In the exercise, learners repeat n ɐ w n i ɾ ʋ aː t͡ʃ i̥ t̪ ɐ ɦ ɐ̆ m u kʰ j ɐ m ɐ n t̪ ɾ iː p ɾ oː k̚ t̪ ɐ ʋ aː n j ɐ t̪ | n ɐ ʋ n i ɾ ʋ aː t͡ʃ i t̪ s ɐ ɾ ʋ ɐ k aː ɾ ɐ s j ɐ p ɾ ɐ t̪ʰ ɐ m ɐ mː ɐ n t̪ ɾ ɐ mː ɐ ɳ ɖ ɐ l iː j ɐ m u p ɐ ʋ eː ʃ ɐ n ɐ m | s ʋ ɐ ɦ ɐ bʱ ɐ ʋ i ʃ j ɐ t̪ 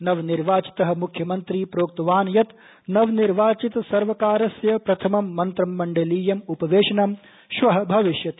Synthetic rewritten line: n ɐ ʋ n i ɾ ʋ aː t͡ʃ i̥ t̪ ɐ ɦ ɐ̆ m u kʰ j ɐ m ɐ n t̪ ɾ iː p ɾ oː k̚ t̪ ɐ ʋ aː n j ɐ t̪ | n ɐ ʋ n i ɾ ʋ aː t͡ʃ i t̪ s ɐ ɾ ʋ ɐ k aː ɾ ɐ s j ɐ p ɾ ɐ t̪ʰ ɐ m ɐ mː ɐ n t̪ ɾ ɐ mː ɐ ɳ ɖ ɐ l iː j ɐ m u p ɐ ʋ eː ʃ ɐ n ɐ m | ʃ ʋ ɐ ɦ ɐ bʱ ɐ ʋ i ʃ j ɐ t̪